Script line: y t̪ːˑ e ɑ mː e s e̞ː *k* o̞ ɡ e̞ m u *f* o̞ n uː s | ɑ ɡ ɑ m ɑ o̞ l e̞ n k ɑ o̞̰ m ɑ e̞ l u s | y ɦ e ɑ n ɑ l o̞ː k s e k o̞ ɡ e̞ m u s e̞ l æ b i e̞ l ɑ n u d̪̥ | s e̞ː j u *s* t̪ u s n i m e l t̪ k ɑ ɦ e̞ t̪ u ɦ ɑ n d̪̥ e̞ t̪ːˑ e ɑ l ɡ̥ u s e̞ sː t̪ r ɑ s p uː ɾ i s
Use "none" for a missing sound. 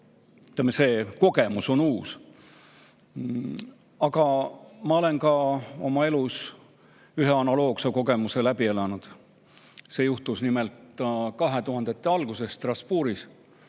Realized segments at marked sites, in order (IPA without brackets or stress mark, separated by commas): k, s, h